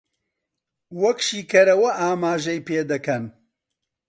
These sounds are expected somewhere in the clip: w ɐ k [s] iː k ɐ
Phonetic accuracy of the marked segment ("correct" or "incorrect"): incorrect